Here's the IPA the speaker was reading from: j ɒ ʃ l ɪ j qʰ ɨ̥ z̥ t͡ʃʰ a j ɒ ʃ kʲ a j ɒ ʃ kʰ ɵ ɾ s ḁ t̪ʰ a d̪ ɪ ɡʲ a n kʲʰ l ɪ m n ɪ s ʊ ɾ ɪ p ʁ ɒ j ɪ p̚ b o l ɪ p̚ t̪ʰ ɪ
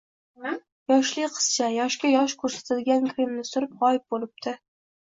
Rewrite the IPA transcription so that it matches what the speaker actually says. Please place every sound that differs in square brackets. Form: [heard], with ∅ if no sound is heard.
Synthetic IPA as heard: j ɒ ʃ l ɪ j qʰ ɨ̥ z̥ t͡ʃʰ a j ɒ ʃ kʲ a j ɒ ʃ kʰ ɵ ɾ s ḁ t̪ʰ a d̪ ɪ ɡʲ a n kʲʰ [ɾ] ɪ m n ɪ s ʊ ɾ ɪ p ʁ ɒ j ɪ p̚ b o l ɪ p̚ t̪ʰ ɪ